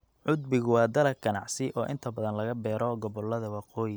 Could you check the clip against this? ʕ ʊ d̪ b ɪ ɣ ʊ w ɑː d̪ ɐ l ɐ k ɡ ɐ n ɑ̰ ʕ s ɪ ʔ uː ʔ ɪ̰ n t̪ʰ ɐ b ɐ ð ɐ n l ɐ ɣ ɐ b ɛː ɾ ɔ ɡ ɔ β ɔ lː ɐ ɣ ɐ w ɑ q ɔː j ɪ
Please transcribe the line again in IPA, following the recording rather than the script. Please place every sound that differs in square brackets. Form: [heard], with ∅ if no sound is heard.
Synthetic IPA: ʕ ʊ d̪ b ɪ ɣ ʊ w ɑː d̪ ɐ l ɐ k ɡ ɐ n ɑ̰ ʕ s ɪ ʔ [ɔː] ʔ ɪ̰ n t̪ʰ ɐ b ɐ ð ɐ n l ɐ ɣ ɐ b ɛː ɾ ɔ ɡ ɔ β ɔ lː ɐ [ð] ɐ w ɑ q ɔː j ɪ